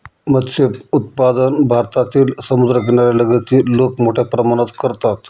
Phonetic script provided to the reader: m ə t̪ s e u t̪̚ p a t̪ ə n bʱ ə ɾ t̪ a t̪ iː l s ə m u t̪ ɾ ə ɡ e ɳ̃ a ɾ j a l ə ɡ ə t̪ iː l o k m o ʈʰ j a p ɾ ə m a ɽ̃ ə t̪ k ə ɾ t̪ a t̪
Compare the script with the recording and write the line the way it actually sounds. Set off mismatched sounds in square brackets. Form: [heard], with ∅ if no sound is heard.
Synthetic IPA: m ə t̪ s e u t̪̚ p a [d̪] ə n bʱ [a] ɾ t̪ a t̪ iː l s ə m u [d̪] ɾ ə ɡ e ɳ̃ a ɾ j a l ə ɡ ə t̪ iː l o k m o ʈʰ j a p ɾ ə m a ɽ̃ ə t̪ k ə ɾ t̪ a t̪